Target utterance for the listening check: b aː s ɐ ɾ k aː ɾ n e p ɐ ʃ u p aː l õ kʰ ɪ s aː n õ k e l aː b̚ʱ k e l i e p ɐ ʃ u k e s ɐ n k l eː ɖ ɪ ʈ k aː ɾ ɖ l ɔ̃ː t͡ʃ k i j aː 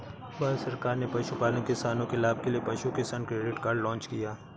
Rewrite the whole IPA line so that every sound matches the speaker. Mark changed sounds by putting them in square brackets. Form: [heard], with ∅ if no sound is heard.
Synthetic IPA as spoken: b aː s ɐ ɾ k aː ɾ n e p ɐ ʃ u p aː l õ [k] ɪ s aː n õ k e l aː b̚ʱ k e l i e p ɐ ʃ u k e s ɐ n k [ɾ] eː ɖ ɪ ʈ k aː ɾ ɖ l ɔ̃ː t͡ʃ k i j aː